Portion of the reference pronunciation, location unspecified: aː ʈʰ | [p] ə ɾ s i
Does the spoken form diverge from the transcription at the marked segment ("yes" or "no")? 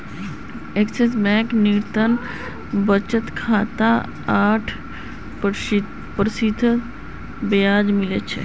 no